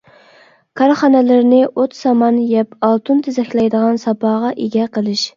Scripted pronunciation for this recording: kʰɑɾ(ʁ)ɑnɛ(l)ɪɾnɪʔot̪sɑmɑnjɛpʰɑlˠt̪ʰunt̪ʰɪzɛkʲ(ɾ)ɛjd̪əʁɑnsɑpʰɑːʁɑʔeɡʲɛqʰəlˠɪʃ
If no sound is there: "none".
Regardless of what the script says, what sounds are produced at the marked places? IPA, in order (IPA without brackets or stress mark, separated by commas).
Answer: χ, l, l